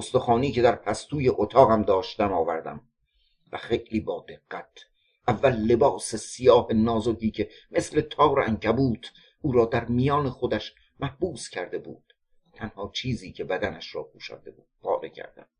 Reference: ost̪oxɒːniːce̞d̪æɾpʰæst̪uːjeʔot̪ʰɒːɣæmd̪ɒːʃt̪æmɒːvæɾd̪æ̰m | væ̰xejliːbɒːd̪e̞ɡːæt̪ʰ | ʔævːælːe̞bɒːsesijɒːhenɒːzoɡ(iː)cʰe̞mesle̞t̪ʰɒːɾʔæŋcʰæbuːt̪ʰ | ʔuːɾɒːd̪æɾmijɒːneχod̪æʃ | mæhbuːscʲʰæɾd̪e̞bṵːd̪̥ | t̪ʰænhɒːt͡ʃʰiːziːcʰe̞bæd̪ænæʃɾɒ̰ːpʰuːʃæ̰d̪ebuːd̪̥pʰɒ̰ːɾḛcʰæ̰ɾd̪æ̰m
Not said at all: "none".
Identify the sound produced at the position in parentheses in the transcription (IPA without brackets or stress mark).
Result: iː